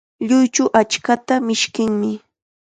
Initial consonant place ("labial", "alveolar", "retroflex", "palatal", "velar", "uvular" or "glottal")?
palatal